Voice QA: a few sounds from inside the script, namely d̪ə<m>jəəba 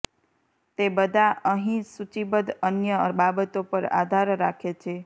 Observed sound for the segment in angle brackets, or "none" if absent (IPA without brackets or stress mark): n